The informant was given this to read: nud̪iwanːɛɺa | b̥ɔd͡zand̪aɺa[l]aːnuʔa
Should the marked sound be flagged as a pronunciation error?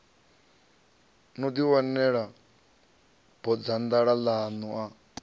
no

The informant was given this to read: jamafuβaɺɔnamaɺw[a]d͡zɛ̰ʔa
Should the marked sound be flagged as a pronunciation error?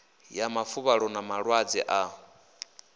no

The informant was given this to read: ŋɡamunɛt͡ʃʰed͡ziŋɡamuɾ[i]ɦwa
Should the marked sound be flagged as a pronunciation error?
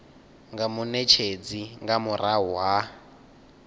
yes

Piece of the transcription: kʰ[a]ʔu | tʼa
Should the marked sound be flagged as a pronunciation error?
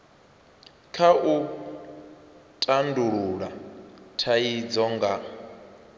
no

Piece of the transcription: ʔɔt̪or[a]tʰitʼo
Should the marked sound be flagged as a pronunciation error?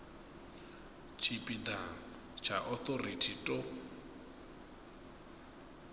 yes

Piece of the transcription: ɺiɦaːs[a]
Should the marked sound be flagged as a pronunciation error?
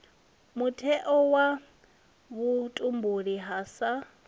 no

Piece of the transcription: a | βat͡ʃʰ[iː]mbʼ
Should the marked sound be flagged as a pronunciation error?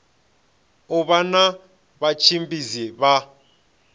yes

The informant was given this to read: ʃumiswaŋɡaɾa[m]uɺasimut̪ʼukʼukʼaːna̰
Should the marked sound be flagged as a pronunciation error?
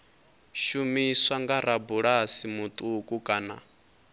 yes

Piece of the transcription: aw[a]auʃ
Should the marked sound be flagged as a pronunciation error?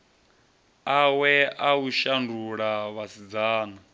yes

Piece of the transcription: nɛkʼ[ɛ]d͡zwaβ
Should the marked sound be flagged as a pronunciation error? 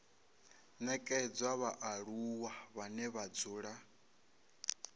no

